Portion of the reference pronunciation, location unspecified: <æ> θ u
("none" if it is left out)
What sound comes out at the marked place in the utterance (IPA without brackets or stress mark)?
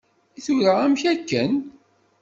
i